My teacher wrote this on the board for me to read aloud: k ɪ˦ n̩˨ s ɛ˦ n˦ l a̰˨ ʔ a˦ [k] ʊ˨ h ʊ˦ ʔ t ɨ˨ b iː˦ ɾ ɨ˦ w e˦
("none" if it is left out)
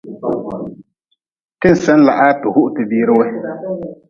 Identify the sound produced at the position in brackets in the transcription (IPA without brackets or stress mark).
t